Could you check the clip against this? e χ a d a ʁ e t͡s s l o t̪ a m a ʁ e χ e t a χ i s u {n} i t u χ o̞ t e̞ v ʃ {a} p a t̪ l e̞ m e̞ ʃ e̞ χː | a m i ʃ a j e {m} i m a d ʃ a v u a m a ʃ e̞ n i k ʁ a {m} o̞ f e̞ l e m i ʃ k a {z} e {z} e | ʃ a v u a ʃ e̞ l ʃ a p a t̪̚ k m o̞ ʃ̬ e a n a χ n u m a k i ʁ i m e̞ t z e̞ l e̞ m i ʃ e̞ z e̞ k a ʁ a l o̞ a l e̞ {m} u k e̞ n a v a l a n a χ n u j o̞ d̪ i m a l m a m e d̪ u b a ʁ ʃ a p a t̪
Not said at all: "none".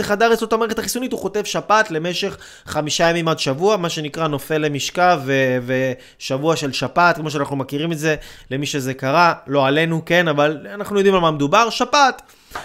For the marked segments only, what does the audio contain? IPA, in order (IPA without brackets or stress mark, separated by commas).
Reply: n, a, m, n, v, v, n